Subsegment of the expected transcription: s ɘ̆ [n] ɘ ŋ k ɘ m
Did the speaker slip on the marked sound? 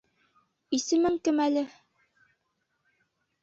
yes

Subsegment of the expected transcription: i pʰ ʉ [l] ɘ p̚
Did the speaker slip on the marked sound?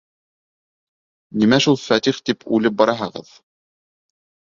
no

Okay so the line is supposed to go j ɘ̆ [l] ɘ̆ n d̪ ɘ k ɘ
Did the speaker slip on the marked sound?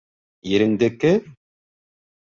yes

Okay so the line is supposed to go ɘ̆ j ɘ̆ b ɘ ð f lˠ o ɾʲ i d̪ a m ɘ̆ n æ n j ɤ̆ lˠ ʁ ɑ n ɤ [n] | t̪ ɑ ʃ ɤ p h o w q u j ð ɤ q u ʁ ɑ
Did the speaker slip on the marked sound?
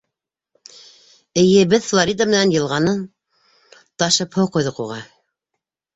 no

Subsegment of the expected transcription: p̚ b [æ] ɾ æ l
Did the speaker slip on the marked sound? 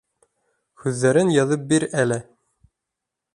yes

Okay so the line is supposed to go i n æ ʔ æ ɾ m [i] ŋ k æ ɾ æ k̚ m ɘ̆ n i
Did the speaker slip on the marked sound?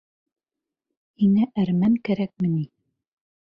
yes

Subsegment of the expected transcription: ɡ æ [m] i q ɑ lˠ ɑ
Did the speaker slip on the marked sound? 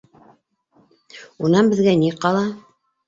yes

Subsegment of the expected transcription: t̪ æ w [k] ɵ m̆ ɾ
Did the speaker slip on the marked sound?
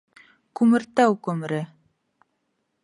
no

